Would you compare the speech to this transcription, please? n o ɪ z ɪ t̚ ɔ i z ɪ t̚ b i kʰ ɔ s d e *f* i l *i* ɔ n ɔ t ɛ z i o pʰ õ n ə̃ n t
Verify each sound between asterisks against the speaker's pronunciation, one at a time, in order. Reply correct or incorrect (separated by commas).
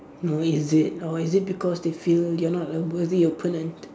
correct, incorrect